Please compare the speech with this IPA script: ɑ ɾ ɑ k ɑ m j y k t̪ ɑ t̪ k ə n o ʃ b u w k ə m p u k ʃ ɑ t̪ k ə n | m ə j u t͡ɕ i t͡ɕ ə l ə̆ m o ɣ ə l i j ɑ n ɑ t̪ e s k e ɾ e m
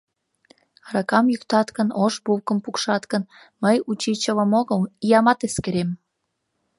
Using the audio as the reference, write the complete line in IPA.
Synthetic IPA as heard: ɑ ɾ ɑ k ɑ m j y k t̪ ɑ t̪ k ə n o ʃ b u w k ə m p u k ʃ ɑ t̪ k ə n | m ə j u t͡ɕ i t͡ɕ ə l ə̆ m o ɣ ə l i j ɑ m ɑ t̪ e s k e ɾ e m